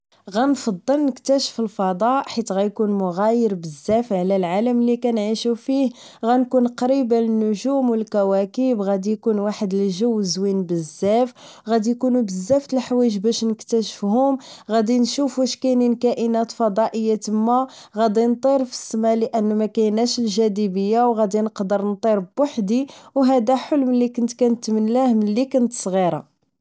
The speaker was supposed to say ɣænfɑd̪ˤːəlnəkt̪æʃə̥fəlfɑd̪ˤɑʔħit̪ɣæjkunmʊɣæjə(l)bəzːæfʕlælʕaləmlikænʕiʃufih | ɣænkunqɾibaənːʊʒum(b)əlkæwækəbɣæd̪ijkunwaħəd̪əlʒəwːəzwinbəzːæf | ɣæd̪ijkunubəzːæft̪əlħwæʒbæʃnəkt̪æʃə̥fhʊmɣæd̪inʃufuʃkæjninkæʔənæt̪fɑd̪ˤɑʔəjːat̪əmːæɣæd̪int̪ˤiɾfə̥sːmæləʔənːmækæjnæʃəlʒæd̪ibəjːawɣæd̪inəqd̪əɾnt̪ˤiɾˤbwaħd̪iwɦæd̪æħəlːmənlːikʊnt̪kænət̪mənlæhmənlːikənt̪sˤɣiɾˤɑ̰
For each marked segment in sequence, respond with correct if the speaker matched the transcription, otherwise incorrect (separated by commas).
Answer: incorrect, incorrect